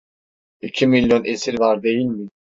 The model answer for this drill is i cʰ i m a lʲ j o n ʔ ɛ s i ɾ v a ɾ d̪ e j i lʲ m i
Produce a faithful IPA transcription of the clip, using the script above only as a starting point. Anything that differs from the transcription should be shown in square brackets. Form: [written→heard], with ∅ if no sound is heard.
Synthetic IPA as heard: i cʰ i m [a→i] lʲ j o n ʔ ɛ s i ɾ v a ɾ d̪ e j i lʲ m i

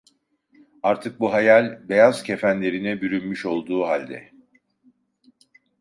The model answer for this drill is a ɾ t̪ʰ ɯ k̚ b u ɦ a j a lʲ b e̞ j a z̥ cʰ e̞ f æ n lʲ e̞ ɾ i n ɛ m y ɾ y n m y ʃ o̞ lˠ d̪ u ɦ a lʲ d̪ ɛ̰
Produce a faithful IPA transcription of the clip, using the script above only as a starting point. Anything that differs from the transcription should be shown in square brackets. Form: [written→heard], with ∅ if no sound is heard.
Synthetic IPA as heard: a ɾ t̪ʰ ɯ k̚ b u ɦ a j a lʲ b e̞ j a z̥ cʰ e̞ f æ n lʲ e̞ ɾ i n ɛ [m→b] y ɾ y n m y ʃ o̞ lˠ d̪ [u→uː] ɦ a lʲ d̪ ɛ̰

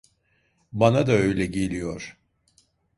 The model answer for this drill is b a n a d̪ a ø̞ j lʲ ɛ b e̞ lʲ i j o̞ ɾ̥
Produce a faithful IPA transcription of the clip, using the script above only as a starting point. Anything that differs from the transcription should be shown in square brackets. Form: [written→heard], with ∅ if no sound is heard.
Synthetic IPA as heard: b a n a d̪ a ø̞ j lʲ ɛ [b→ɟ] e̞ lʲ i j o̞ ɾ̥

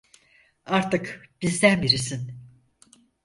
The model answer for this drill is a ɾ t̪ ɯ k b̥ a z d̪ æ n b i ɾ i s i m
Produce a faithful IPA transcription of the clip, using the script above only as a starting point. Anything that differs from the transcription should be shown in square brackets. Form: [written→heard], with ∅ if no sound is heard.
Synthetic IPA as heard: a ɾ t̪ ɯ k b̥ [a→i] z d̪ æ n b i ɾ i s i [m→n]

